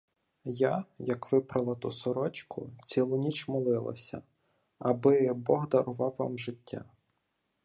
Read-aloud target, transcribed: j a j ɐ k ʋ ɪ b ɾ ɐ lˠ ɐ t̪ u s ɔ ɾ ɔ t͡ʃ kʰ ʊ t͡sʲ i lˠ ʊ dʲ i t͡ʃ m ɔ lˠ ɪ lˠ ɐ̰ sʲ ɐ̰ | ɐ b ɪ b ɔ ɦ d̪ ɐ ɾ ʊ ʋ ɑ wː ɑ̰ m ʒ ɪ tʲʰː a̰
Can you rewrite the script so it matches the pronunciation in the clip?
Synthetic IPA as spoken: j a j ɐ k ʋ ɪ p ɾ ɐ lˠ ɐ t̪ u s ɔ ɾ ɔ t͡ʃ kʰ ʊ t͡sʲ i lˠ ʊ nʲ i t͡ʃ m ɔ lˠ ɪ lˠ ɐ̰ sʲ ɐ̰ | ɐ b ɪ b ɔ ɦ d̪ ɐ ɾ ʊ ʋ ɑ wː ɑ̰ m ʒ ɪ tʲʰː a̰